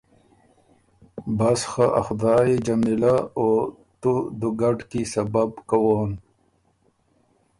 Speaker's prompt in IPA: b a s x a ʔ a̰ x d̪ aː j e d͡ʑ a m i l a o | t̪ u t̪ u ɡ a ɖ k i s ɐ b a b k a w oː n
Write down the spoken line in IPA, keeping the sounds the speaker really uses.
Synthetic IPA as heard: b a s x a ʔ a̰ x d̪ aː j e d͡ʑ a m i l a o | t̪ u d̪ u ɡ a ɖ k i s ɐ b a b k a w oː n